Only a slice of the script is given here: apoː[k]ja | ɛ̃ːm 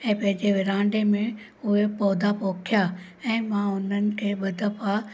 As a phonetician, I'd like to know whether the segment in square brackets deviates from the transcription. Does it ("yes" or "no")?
yes